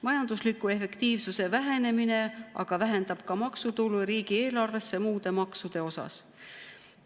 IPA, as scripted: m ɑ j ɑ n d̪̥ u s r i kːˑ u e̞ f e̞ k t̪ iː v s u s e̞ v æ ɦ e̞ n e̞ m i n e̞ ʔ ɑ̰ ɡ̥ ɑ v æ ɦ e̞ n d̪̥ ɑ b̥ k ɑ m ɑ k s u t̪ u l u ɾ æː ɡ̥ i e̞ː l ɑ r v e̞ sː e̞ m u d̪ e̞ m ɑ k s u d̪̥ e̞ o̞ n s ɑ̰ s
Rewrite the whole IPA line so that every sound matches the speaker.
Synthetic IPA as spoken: m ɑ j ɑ n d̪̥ u s l i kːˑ u e̞ f e̞ k t̪ iː v s u s e̞ v æ ɦ e̞ n e̞ m i n e̞ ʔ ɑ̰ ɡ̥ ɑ v æ ɦ e̞ n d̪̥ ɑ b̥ k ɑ m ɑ k s u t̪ u l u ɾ iː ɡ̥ i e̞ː l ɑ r v e̞ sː e̞ m uː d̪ e̞ m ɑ k s u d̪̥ e̞ o̞ s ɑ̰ s